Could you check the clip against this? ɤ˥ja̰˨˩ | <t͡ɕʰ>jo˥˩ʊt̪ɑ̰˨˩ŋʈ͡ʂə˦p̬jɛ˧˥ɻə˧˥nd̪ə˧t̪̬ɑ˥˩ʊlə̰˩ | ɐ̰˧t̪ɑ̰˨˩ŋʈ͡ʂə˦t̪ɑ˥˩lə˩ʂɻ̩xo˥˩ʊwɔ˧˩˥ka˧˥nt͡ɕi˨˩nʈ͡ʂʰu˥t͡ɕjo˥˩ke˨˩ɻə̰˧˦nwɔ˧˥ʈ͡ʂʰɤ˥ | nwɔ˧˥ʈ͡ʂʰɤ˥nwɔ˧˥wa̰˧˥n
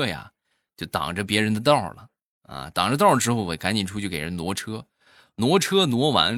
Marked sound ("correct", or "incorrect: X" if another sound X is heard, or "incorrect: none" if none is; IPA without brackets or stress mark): incorrect: t͡ɕ